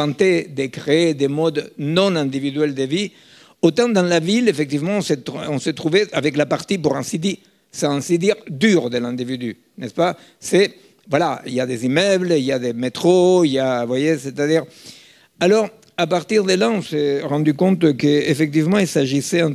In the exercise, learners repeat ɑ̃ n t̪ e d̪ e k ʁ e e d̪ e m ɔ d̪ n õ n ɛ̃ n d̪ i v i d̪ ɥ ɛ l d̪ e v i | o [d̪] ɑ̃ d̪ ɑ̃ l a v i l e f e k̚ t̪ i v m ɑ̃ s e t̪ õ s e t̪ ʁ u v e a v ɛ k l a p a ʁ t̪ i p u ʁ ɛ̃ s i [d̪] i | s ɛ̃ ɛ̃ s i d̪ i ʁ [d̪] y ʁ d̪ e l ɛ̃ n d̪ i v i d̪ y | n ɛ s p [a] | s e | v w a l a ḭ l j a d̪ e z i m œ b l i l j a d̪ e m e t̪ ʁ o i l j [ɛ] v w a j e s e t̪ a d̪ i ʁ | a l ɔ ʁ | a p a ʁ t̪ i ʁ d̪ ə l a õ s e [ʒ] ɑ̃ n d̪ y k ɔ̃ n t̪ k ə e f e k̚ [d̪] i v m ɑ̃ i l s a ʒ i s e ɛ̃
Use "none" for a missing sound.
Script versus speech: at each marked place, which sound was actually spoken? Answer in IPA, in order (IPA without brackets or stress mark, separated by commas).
t̪, d̪, d̪, a, a, ʁ, t̪